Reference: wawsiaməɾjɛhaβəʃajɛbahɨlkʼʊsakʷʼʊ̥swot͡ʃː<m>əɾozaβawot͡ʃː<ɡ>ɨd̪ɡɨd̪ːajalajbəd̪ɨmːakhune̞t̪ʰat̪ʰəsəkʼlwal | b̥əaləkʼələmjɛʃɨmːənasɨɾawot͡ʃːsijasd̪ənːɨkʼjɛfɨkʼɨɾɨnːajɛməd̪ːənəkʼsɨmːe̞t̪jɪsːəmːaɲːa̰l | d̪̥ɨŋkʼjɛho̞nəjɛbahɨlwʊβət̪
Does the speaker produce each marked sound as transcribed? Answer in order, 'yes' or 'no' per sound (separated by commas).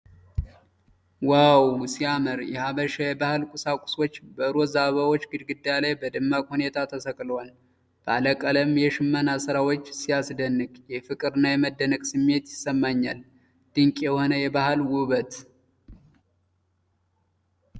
no, yes